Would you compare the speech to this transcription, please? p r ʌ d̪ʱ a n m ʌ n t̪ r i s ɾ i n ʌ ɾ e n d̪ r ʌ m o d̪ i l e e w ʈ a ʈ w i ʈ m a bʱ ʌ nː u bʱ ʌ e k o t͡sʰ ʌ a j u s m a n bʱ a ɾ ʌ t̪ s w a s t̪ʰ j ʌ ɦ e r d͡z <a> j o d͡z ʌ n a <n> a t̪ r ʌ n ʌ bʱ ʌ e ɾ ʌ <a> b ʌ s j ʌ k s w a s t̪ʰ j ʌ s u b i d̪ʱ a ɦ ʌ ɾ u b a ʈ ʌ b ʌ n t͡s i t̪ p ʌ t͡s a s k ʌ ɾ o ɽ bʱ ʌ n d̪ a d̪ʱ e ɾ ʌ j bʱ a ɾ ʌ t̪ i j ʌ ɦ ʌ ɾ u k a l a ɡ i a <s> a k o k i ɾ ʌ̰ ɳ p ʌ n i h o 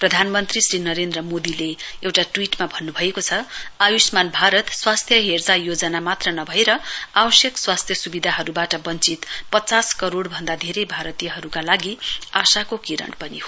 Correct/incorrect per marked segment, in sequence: correct, incorrect: m, correct, correct

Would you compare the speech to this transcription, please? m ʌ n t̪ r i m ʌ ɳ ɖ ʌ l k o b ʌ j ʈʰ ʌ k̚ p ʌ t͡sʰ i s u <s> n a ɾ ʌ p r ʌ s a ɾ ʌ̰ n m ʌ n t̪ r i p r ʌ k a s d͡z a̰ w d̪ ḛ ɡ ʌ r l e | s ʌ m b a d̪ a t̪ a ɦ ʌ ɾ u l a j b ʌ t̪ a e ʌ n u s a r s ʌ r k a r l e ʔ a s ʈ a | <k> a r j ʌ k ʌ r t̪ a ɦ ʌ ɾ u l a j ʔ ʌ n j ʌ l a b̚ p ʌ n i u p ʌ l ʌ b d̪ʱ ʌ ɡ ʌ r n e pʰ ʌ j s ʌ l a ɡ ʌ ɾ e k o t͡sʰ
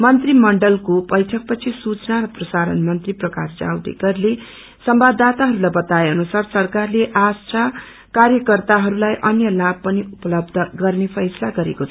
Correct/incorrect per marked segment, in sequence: incorrect: t͡s, correct

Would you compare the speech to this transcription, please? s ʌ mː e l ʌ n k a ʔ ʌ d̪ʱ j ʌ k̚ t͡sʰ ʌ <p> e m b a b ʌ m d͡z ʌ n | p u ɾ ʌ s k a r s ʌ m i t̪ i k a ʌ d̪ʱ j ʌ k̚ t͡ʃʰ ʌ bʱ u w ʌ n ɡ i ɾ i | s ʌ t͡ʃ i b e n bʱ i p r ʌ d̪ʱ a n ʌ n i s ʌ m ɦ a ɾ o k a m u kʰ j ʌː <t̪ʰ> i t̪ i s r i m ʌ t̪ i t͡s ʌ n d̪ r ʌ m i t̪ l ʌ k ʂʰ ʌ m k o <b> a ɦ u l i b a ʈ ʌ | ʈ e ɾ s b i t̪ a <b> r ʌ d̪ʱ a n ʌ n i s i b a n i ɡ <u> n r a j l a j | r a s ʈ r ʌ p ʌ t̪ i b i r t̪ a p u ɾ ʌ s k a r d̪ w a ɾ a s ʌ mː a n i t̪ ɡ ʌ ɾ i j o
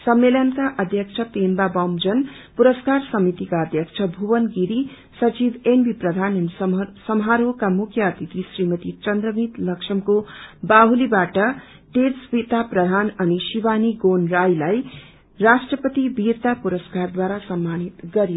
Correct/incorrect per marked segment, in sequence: correct, incorrect: t̪, correct, incorrect: p, incorrect: o

